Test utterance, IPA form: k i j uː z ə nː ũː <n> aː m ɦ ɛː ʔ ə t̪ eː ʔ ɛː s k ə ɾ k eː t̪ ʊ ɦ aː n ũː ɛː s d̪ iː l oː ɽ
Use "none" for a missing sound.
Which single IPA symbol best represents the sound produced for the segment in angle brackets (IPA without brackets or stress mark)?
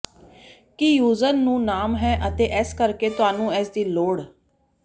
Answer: n